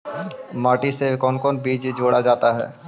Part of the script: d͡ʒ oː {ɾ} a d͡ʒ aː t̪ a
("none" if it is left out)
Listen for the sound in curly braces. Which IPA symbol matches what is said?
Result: ɽ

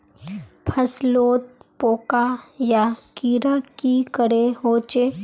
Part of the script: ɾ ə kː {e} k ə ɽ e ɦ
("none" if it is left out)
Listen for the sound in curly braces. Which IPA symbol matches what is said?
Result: i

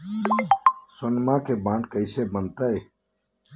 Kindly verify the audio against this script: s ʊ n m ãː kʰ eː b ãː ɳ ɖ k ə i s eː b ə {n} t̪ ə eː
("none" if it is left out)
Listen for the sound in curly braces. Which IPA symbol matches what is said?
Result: n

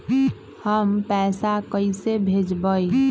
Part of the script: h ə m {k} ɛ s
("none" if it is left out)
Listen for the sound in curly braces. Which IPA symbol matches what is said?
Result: p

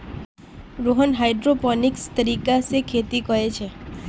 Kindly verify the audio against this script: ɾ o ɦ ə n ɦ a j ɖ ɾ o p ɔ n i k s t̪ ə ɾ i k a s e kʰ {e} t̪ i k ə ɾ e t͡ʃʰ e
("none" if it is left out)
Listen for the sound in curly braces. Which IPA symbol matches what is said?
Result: e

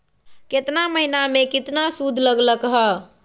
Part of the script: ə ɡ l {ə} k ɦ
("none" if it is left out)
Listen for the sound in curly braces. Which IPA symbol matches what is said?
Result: ə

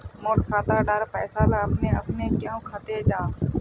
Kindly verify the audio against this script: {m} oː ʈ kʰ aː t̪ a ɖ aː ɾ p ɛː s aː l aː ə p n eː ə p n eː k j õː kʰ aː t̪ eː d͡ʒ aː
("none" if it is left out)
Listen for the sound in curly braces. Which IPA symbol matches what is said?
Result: m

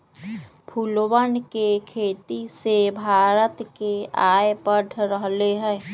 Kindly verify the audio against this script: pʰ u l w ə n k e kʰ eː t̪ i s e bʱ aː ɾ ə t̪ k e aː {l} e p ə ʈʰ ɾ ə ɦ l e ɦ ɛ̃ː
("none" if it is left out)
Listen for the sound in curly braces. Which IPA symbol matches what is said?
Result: none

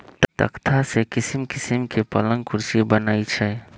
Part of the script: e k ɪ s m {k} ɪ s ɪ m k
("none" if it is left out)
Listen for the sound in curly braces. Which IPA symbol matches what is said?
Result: k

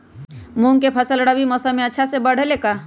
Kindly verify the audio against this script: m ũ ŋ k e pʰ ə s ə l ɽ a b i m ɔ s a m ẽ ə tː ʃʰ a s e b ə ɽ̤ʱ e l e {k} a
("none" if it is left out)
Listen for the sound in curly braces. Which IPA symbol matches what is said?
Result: k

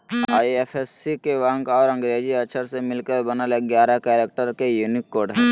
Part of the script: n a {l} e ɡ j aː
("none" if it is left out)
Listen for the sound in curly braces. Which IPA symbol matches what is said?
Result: l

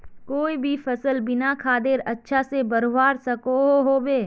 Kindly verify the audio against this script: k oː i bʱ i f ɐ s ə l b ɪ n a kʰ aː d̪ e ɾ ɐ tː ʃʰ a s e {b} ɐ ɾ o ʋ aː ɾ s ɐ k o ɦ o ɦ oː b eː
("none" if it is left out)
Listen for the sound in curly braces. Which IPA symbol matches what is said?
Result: b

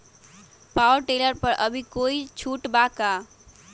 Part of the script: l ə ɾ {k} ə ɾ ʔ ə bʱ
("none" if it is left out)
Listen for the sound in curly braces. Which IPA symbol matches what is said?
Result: p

